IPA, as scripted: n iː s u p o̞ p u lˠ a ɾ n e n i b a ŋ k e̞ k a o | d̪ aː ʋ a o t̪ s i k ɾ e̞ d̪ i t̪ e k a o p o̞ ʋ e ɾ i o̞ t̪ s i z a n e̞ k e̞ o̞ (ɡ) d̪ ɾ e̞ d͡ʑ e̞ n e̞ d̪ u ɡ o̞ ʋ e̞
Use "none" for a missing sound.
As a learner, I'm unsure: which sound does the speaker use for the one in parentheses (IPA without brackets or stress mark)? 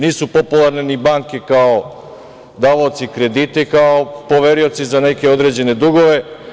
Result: none